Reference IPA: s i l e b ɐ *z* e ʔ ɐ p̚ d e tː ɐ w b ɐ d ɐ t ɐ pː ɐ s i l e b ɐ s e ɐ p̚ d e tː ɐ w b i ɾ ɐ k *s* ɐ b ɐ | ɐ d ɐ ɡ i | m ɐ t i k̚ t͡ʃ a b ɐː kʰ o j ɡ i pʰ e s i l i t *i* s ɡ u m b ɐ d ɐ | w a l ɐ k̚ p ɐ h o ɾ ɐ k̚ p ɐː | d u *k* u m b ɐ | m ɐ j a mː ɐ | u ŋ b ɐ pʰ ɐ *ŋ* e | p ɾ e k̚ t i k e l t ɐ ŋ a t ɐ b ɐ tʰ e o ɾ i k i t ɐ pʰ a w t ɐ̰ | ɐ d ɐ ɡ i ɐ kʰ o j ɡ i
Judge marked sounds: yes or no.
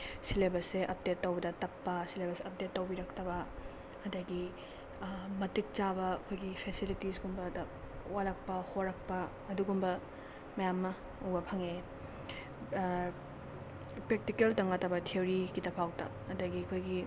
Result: no, no, yes, no, yes

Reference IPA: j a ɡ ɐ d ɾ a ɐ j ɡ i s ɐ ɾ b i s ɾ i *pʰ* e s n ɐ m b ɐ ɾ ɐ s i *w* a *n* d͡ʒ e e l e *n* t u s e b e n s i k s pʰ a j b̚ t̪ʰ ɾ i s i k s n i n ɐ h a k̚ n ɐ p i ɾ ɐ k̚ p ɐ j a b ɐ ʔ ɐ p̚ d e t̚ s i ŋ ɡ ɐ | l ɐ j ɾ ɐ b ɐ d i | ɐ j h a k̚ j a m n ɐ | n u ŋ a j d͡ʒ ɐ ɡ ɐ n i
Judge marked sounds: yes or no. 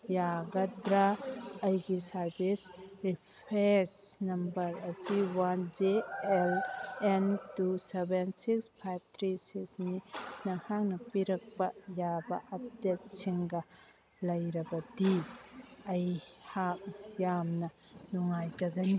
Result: yes, yes, yes, yes

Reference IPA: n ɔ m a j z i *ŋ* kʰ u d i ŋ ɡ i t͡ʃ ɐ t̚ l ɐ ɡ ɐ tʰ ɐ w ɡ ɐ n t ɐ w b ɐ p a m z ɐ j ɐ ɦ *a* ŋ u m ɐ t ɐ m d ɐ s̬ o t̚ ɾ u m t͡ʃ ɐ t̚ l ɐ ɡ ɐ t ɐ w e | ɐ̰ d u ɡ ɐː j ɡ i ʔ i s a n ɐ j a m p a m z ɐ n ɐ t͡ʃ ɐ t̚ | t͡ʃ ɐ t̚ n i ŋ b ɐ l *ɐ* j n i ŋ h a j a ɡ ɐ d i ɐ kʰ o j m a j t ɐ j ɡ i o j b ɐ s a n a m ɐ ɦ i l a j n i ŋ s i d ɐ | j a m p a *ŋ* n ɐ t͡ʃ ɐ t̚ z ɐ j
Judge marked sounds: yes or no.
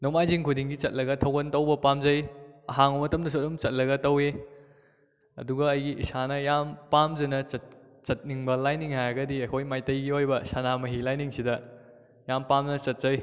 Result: yes, yes, no, no

